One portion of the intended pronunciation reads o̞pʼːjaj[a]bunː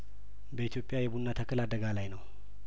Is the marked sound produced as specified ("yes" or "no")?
no